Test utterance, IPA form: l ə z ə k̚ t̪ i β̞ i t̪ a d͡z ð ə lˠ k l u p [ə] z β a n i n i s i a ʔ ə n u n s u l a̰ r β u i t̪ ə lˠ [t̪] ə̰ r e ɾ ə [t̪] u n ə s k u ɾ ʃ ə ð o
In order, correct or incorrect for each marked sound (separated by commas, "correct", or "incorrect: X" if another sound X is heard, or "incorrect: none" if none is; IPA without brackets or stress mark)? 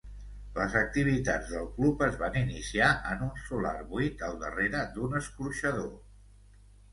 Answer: correct, incorrect: d̪, incorrect: d̪